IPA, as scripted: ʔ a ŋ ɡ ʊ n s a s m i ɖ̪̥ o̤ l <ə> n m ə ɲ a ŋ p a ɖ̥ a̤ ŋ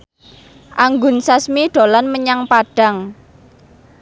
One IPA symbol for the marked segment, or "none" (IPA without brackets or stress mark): a